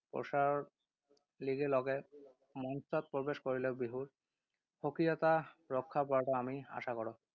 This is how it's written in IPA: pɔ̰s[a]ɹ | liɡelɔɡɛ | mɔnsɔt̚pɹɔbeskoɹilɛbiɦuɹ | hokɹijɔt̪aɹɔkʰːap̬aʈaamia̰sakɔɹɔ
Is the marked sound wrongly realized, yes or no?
no